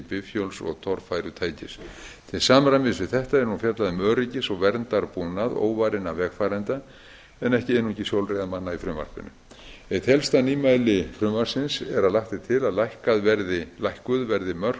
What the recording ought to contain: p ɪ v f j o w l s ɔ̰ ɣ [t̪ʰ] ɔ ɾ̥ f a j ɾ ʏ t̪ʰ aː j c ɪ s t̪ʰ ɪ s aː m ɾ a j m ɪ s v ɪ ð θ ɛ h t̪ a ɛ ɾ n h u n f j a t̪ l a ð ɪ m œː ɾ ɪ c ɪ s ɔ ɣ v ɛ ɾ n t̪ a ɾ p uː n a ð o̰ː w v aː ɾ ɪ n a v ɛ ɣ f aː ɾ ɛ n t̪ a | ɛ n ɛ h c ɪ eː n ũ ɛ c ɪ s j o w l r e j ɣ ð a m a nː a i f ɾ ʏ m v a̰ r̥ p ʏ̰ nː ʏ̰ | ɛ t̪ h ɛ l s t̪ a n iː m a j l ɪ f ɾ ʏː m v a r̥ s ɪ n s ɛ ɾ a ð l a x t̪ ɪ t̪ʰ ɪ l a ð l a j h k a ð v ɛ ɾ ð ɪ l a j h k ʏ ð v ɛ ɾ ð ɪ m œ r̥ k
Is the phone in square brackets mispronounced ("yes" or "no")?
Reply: no